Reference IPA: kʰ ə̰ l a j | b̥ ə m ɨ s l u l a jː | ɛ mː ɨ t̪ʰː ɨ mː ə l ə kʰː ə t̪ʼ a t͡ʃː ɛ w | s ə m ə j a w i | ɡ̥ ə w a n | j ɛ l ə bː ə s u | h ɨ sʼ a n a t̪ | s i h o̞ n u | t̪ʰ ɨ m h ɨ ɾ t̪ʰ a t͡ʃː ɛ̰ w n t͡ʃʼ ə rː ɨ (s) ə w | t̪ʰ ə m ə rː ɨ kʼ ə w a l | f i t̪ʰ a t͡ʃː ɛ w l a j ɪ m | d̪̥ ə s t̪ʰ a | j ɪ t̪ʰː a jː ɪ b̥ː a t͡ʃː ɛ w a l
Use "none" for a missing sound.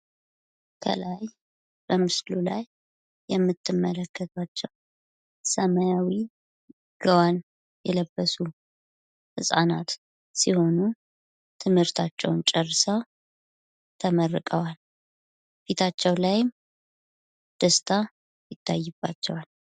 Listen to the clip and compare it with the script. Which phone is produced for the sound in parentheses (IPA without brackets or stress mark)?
s